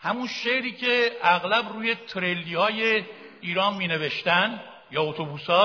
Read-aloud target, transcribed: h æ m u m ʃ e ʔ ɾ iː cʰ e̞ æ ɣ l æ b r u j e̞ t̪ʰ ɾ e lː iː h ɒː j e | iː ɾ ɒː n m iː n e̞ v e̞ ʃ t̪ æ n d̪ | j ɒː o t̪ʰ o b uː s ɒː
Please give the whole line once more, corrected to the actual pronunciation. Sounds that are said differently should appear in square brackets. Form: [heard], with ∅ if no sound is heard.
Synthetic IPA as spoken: h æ m u [n] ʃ e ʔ ɾ iː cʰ e̞ æ ɣ l æ b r [uː] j e̞ t̪ʰ ɾ e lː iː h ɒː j e | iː ɾ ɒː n m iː n e̞ v e̞ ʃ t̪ æ n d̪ | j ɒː o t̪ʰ o b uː s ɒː